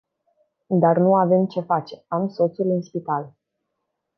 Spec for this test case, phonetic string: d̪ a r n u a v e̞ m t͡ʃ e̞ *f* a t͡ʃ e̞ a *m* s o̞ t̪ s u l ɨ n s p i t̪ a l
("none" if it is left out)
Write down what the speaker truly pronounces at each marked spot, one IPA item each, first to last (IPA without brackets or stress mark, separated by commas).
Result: f, m